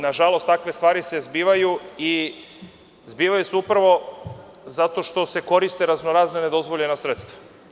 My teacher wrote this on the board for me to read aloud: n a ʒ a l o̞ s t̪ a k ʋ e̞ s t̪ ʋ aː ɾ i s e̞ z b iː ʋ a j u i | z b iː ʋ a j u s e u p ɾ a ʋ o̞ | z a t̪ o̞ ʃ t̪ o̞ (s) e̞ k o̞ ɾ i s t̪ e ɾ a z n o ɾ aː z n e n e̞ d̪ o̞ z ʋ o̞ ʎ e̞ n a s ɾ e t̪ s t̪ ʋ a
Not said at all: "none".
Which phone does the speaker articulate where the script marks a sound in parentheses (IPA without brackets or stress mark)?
s